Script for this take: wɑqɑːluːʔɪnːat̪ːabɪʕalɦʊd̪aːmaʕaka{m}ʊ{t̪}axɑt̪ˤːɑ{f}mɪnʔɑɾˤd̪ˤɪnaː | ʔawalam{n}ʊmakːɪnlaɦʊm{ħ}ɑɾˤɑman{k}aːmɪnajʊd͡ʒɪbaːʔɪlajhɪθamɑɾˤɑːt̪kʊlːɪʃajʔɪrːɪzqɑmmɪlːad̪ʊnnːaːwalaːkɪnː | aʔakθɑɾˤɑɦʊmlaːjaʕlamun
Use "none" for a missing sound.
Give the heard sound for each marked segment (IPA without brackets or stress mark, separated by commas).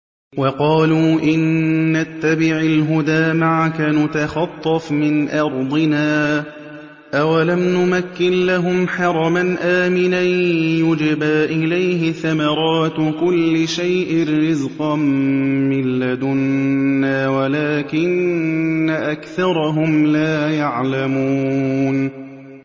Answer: n, t̪, f, n, ħ, ʔ